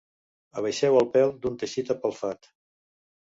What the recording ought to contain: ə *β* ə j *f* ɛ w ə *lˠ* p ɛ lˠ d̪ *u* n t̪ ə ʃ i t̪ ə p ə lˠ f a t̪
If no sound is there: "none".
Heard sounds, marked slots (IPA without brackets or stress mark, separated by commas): β, ʃ, lˠ, u